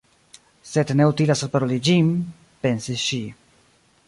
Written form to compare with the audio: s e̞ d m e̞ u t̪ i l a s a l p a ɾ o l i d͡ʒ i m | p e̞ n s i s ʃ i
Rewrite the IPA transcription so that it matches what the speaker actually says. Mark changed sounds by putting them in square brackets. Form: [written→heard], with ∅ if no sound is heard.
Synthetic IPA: s e̞ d [m→n] e̞ u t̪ i l a s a l p a ɾ o l i d͡ʒ i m | p e̞ n s i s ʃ i